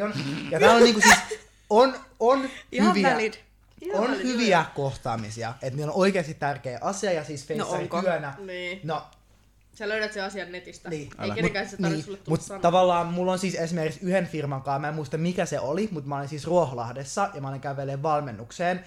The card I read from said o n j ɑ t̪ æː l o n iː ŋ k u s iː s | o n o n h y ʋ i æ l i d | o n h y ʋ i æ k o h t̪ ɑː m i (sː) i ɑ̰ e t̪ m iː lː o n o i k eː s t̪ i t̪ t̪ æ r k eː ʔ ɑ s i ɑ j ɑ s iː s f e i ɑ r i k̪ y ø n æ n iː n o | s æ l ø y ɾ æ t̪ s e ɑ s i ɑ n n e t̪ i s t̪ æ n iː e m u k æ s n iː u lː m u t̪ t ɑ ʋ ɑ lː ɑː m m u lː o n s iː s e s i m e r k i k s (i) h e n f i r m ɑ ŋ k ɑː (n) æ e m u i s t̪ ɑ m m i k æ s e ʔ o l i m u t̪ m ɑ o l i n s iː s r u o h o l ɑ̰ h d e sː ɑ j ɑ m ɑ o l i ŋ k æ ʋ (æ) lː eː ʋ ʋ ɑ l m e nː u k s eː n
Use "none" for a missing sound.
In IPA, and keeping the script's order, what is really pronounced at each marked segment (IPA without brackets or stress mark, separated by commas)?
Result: s, y, m, e